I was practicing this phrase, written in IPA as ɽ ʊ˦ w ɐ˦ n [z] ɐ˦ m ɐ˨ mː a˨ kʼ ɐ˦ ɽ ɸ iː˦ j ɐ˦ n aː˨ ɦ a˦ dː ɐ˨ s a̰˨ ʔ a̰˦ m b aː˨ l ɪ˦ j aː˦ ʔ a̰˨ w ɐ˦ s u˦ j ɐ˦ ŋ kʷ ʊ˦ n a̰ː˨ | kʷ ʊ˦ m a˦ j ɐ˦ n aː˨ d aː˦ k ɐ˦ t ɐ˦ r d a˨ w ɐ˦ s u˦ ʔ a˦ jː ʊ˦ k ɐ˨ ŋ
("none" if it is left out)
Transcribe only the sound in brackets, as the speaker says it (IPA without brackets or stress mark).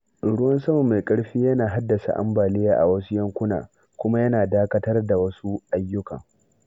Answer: s